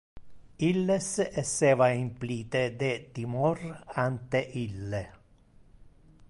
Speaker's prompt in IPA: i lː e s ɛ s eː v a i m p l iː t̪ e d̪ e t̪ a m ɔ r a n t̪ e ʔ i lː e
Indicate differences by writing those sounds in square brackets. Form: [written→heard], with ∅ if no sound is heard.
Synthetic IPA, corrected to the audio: i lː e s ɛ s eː v a i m p l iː t̪ e d̪ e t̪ [a→i] m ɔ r a n t̪ e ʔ i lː e